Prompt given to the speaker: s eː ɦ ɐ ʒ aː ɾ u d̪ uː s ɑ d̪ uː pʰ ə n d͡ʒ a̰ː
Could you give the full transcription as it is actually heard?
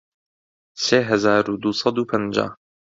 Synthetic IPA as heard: s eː ɦ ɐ z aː ɾ u d̪ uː s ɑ d̪ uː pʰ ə n d͡ʒ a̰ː